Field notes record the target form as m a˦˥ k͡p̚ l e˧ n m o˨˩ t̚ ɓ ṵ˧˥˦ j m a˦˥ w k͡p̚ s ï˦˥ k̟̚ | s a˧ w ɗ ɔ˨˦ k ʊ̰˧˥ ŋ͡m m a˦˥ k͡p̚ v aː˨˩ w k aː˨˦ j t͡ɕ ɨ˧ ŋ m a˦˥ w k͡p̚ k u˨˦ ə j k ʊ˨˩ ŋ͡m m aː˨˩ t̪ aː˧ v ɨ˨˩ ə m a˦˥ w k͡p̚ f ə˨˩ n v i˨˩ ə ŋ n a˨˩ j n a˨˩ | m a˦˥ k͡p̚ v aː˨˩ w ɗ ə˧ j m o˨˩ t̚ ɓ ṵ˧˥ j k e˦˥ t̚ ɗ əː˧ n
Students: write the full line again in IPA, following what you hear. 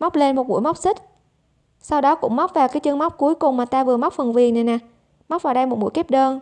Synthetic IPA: m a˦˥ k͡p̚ l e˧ n m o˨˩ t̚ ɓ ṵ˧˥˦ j m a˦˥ w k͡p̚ s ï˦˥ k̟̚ | s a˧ w ɗ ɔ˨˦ k ʊ̰˧˥ ŋ͡m m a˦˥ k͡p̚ v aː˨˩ w k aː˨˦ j t͡ɕ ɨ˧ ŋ m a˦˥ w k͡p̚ k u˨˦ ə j k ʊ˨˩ ŋ͡m m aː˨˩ t̪ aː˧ v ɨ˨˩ ə m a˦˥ w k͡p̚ f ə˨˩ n v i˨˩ ə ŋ n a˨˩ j n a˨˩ | m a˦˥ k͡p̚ v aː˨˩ w ɗ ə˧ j m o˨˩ t̚ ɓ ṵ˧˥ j k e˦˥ p̚ ɗ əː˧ n

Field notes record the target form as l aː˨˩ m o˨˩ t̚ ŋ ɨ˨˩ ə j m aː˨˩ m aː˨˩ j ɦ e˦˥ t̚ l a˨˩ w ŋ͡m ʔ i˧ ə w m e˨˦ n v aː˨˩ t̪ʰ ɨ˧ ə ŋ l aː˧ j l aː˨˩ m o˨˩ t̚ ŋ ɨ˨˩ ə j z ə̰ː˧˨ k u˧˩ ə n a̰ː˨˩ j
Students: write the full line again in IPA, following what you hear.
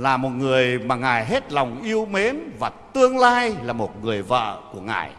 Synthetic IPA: l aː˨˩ m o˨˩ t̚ ŋ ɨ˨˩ ə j m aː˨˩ ŋ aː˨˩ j ɦ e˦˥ t̚ l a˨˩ w ŋ͡m ʔ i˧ ə w m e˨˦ n v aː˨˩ t̪ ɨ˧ ə ŋ l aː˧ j l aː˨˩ m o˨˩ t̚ ŋ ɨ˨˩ ə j v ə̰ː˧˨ k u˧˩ ə ŋ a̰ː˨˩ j

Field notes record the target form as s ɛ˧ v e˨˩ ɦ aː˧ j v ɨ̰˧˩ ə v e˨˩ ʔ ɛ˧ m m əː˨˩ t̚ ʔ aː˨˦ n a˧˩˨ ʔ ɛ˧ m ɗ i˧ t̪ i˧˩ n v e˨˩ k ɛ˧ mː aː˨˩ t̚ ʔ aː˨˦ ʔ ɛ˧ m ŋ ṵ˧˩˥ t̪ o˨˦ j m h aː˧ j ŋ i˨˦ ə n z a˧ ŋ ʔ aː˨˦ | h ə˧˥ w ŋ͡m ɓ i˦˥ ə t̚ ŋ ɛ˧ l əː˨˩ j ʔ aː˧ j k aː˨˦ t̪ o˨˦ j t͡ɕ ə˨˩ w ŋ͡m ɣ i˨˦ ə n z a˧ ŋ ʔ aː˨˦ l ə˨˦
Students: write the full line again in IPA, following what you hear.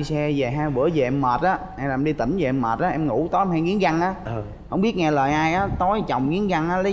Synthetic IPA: s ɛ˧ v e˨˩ ɦ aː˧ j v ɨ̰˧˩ ə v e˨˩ ʔ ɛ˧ m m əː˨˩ t̚ ʔ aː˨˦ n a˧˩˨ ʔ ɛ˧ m ɗ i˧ t̪ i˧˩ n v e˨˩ ʔ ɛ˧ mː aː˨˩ t̚ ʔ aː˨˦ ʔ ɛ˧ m ŋ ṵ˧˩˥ t̪ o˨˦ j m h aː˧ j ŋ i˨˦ ə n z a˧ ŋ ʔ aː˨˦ | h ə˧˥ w ŋ͡m ɓ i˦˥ ə t̚ ŋ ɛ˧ l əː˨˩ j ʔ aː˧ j ʔ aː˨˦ t̪ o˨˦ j t͡ɕ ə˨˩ w ŋ͡m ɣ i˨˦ ə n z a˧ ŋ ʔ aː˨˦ l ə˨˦

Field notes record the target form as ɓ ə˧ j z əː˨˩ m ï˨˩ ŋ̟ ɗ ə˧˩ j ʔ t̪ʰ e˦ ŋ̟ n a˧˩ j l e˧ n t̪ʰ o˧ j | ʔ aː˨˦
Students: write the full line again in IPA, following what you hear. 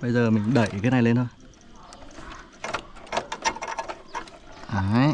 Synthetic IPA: ɓ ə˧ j z əː˨˩ m ï˨˩ ŋ̟ ɗ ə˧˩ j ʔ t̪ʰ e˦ n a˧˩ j l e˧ n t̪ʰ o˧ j | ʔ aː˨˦

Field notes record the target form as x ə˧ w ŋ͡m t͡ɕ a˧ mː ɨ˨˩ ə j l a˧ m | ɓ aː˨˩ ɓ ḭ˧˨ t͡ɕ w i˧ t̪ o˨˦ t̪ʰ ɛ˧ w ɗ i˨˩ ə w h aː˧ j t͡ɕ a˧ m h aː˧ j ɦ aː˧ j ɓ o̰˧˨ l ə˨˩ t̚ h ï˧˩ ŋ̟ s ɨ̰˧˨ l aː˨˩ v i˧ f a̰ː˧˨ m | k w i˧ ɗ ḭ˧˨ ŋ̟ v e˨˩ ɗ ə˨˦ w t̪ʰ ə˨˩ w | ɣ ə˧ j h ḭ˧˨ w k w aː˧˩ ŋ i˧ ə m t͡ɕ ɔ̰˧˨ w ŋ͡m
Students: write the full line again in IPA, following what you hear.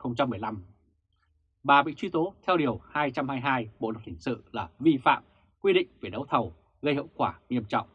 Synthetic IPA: x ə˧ w ŋ͡m t͡ɕ a˧ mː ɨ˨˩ ə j l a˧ m | ɓ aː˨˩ ɓ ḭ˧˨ t͡ɕ w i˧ t̪ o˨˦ t̪ʰ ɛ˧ w ɗ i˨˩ ə w h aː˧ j t͡ɕ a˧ m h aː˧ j ɦ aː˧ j ɓ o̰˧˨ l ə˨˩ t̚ h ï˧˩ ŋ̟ s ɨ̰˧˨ l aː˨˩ v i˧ f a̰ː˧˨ m | k w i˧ ɗ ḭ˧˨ ŋ̟ v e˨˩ ɗ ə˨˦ w t̪ʰ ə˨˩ w | ɣ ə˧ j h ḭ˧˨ w k w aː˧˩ ŋ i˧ ə m t͡ɕ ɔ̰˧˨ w ŋ͡m

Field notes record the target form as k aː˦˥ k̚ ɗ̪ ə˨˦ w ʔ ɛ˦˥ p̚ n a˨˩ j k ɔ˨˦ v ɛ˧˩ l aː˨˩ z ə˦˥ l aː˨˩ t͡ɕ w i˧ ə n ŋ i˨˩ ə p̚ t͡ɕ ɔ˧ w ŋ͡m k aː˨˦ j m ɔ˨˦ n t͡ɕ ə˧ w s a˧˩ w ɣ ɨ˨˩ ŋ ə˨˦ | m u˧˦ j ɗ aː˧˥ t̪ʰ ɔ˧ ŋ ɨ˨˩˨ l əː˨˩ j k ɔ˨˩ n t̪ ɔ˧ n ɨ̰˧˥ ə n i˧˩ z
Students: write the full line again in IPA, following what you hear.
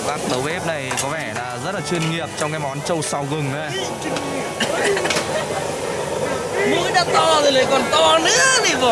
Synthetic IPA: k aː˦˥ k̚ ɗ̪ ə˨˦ w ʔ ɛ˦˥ p̚ n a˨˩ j k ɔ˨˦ v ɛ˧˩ l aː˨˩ z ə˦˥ l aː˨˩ t͡ɕ w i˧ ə n ŋ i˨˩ ə p̚ t͡ɕ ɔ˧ w ŋ͡m k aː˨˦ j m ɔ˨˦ n t͡ɕ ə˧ w s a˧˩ w ɣ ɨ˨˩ ŋ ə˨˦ | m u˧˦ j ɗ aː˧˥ t̪ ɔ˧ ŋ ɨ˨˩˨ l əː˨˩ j k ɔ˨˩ n t̪ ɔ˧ n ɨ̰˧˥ ə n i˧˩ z

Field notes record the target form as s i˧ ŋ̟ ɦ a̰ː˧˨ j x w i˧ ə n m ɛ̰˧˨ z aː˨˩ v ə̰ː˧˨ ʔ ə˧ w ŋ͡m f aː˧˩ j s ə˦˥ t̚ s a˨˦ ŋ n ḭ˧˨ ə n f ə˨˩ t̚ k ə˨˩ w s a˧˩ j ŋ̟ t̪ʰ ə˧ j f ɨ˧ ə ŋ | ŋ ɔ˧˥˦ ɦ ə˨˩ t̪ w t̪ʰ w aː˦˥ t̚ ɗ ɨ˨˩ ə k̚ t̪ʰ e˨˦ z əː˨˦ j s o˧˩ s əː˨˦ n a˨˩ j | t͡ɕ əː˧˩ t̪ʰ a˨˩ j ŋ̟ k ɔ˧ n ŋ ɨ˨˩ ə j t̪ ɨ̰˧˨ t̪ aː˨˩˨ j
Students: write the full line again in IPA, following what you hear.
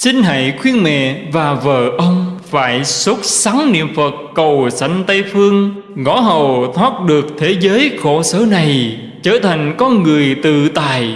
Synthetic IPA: s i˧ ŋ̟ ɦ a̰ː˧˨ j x w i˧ ə n m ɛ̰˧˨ v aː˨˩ v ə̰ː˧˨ ʔ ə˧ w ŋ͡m f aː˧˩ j s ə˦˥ t̚ s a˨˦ ŋ n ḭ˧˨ ə m f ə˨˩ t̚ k ə˨˩ w s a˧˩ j ŋ̟ t̪ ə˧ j f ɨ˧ ə ŋ | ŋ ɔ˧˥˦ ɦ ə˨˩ w t̪ʰ w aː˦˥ t̚ ɗ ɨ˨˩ ə k̚ t̪ʰ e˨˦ z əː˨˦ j x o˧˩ s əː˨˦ n a˨˩ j | t͡ɕ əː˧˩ t̪ʰ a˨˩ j ŋ̟ k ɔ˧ n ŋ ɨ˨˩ ə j t̪ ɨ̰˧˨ t̪ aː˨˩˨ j

